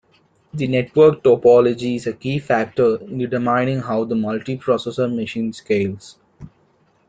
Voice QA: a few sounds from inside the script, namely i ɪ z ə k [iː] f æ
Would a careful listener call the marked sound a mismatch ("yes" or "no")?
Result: no